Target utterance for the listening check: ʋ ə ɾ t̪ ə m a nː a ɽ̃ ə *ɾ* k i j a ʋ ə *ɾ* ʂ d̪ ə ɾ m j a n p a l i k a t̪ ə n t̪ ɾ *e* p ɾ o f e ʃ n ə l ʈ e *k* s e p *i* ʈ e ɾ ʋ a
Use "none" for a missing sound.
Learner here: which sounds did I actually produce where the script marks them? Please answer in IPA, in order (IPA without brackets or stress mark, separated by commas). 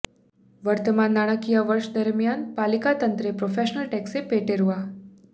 none, ɾ, e, k, e